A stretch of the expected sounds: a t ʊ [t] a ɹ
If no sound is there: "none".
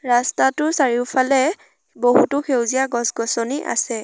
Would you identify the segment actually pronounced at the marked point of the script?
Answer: s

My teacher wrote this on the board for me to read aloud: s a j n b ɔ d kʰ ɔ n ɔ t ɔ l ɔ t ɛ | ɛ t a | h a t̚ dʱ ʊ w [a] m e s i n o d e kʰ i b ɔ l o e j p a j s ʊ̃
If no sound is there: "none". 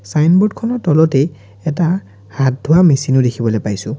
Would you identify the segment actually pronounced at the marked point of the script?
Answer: a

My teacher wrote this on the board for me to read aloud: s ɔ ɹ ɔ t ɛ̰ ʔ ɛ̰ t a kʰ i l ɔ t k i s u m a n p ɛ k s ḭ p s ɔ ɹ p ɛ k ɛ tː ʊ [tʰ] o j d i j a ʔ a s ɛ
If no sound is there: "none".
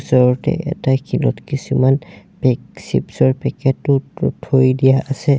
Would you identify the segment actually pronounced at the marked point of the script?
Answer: tʰ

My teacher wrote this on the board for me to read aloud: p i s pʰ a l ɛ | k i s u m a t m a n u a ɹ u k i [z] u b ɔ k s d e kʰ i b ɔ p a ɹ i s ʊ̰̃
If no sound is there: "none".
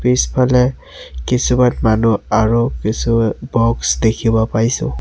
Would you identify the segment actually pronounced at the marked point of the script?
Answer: s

